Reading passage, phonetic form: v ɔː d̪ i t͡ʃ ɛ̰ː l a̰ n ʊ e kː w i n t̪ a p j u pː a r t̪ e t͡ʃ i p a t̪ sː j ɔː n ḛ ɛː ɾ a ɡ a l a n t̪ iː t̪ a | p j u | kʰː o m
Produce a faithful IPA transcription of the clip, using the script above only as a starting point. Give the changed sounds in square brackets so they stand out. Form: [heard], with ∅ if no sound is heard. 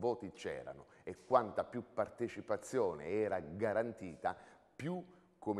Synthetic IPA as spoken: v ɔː [t̪] i t͡ʃ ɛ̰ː [ɾ] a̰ n ʊ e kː w [a] n t̪ a p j u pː a r t̪ e t͡ʃ i p a t̪ sː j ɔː n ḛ ɛː ɾ a ɡ a [ɾ] a n t̪ iː t̪ a | p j u | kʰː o m